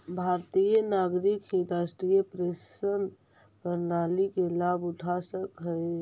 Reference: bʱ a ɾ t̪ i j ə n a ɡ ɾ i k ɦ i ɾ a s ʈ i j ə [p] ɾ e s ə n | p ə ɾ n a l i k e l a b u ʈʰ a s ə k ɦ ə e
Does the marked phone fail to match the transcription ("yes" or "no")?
no